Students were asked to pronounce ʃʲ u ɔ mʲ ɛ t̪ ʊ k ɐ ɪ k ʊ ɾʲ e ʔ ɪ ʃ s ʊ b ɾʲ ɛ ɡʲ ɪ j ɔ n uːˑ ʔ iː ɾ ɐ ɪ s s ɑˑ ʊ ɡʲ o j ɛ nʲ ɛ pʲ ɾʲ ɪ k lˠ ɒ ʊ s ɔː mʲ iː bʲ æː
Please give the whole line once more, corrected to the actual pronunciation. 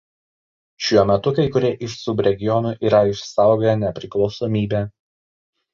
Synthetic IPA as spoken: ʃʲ u ɔ mʲ ɛ t̪ ʊ k ɐ ɪ k ʊ ɾʲ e ʔ ɪ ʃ s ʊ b ɾʲ ɛ ɡʲ ɪ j ɔ n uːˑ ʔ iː ɾ ɐ ɪ ʃ s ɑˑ ʊ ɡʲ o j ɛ nʲ ɛ pʲ ɾʲ ɪ k lˠ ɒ ʊ s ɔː mʲ iː bʲ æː